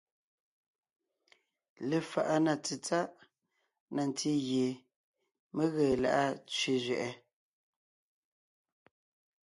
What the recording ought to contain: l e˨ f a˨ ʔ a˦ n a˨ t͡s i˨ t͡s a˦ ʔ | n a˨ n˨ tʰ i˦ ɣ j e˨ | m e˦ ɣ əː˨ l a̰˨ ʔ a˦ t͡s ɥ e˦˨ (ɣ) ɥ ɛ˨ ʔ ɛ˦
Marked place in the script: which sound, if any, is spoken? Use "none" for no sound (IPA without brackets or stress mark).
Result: z